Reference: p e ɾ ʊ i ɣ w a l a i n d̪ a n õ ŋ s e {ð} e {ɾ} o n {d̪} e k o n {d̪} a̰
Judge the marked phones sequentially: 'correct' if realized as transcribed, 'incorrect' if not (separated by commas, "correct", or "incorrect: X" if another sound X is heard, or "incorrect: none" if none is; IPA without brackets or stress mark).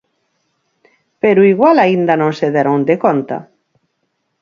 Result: correct, correct, correct, incorrect: t̪